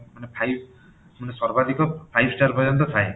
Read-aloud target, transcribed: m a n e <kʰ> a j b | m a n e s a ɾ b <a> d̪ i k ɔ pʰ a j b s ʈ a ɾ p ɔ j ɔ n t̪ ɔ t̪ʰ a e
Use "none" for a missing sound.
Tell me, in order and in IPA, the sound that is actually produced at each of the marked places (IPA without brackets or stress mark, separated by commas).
pʰ, a